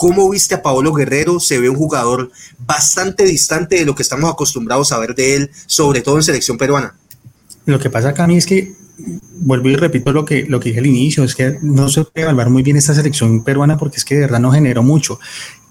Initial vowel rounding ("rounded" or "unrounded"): rounded